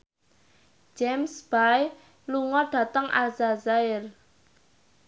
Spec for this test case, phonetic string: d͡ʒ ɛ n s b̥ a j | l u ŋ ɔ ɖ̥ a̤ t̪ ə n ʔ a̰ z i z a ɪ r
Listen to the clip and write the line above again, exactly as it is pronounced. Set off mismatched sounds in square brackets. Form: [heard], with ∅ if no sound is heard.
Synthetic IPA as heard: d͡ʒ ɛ [m] s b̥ a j | l u ŋ ɔ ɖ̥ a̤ t̪ ə [ŋ] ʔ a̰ z [a] z a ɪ r